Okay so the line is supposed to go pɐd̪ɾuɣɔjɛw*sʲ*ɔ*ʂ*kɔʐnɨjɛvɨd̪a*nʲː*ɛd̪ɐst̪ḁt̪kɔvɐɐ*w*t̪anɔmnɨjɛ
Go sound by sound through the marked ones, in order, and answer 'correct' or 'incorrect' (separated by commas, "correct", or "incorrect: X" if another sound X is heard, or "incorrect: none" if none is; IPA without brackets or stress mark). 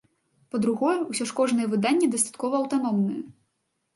correct, correct, correct, correct